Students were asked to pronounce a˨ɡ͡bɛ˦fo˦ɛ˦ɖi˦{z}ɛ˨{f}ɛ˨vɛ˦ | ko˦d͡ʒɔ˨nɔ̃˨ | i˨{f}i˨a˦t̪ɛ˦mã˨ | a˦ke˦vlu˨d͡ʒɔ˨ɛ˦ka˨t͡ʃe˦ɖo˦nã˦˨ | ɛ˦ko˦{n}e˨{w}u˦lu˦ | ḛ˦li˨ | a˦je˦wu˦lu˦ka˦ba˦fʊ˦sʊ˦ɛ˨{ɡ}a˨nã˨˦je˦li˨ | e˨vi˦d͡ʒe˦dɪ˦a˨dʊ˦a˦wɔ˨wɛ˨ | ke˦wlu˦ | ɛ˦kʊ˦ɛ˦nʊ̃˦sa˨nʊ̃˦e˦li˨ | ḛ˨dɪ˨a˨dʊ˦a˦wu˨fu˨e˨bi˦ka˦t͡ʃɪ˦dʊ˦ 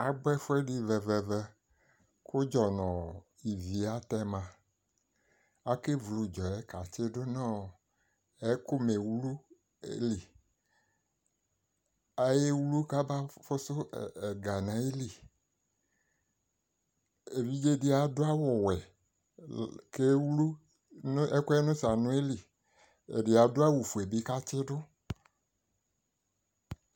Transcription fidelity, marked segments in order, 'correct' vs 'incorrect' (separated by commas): incorrect, incorrect, incorrect, incorrect, correct, correct